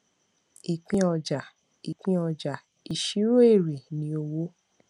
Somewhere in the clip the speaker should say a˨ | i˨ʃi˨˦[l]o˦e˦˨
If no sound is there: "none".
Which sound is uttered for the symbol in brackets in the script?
ɾ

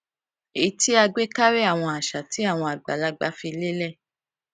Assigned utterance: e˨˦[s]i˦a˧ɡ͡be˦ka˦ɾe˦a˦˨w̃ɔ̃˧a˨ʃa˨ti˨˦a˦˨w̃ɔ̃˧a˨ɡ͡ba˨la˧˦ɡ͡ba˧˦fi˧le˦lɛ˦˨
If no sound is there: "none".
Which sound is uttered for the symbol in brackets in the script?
t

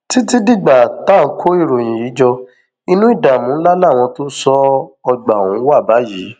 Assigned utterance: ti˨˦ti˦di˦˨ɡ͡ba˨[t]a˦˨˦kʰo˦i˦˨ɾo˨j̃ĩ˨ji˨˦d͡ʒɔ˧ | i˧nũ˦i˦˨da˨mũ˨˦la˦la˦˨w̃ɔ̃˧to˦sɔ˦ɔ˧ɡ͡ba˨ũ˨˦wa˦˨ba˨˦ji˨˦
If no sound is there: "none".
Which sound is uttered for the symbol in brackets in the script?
t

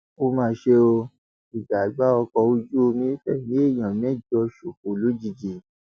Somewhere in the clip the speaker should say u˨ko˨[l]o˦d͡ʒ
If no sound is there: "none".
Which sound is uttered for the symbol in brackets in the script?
l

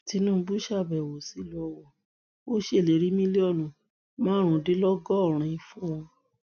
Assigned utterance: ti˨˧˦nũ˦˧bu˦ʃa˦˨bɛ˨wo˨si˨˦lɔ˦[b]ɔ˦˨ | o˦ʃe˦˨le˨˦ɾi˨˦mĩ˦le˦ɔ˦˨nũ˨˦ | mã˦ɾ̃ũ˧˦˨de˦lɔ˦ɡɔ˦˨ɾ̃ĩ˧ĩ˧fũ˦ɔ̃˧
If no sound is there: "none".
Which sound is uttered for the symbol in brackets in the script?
w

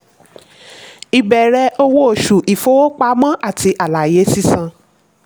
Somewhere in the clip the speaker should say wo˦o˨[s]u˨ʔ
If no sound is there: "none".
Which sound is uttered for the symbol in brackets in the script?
ʃ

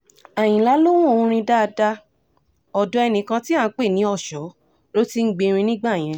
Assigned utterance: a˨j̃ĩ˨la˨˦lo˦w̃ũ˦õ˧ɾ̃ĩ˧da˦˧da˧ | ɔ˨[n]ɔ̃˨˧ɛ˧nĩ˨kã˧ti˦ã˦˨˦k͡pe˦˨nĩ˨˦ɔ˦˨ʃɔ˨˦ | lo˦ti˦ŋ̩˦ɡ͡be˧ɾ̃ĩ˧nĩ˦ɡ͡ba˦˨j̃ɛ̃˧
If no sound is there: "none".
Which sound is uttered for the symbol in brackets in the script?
d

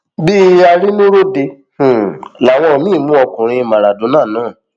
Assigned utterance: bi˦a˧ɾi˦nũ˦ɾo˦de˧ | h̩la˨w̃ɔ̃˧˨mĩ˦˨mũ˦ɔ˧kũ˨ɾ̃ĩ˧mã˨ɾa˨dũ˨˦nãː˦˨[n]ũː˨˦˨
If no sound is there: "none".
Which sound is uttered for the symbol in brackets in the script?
n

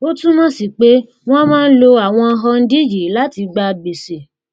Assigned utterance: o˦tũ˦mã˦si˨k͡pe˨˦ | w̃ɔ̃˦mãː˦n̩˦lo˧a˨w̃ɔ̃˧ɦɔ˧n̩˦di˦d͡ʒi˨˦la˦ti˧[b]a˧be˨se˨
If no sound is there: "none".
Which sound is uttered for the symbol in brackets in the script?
ɡ͡b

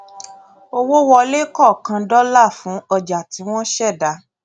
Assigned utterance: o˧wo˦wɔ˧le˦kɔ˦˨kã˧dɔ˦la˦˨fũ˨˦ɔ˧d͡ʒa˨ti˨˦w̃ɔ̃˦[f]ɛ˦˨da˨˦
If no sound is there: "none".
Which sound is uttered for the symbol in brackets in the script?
ʃ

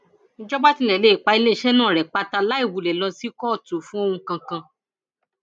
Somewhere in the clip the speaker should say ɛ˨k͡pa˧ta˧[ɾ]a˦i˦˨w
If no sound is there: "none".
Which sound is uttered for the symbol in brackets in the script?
l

